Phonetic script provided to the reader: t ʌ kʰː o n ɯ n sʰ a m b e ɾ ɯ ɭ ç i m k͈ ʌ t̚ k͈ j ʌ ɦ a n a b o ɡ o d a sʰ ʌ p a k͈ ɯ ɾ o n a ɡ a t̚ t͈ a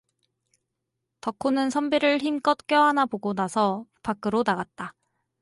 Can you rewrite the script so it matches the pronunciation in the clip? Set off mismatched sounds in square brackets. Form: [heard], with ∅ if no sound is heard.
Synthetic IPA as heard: t ʌ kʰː o n ɯ n sʰ [ʌ] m b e ɾ ɯ ɭ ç i m k͈ ʌ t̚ k͈ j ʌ ɦ a n a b o ɡ o [n] a sʰ ʌ p a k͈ ɯ ɾ o n a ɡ a t̚ t͈ a